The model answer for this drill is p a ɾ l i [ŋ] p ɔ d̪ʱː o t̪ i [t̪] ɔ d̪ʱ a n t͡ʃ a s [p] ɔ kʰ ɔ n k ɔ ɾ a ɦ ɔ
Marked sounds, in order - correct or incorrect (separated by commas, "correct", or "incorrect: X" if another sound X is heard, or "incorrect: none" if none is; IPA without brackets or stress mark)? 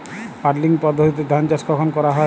correct, correct, incorrect: k